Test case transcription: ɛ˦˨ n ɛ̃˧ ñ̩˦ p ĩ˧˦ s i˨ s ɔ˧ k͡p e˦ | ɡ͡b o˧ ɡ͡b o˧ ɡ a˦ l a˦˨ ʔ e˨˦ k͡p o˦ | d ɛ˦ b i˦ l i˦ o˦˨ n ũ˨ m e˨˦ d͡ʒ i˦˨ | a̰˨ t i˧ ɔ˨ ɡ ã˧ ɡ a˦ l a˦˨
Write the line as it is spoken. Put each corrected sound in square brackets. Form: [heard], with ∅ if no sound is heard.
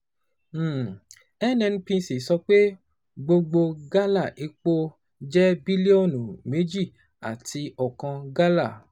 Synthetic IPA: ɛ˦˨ n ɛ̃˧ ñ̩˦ p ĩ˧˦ s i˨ s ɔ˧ k͡p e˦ | ɡ͡b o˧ ɡ͡b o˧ ɡ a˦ l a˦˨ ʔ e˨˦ k͡p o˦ | [d͡ʒ] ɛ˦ b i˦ l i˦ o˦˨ n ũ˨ m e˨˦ d͡ʒ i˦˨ | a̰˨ t i˧ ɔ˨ [k] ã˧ ɡ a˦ l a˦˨